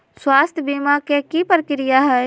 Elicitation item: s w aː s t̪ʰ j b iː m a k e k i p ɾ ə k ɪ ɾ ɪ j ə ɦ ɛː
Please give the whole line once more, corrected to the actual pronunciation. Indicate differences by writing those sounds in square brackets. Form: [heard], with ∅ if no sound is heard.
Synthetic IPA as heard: s w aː s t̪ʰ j b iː m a k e k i p ɾ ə k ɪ ɾ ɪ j [a] ɦ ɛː